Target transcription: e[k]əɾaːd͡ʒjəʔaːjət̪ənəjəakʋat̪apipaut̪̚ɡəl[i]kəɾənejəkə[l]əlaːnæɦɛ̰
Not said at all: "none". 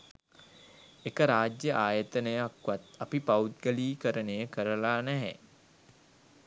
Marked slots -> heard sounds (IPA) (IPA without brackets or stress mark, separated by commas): k, iː, ɾ